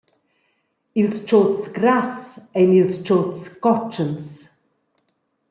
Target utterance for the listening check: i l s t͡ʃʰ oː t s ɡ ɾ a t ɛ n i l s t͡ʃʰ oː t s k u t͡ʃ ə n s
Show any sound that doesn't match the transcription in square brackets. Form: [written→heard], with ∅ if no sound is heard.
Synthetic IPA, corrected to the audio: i l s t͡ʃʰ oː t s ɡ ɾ a [t→s] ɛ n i l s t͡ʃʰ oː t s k [u→ɔ] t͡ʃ ə n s